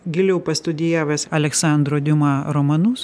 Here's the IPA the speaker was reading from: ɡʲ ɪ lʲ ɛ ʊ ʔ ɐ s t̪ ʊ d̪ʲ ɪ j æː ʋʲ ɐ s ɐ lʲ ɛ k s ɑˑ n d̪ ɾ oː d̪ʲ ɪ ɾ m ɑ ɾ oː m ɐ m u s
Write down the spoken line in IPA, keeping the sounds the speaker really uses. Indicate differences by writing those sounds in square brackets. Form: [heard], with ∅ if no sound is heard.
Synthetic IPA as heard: ɡʲ ɪ lʲ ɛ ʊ [p] ɐ s t̪ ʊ d̪ʲ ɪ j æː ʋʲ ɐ s ɐ lʲ ɛ k s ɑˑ n d̪ ɾ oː d̪ʲ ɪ [∅] m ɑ ɾ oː m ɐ [n] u s